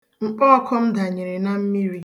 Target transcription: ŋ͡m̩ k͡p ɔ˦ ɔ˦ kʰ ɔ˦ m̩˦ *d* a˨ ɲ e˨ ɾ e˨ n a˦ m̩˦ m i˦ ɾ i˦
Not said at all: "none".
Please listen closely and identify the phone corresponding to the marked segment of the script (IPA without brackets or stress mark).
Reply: d